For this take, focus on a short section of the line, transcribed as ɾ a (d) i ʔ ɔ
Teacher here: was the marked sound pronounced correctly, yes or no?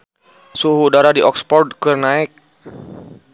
yes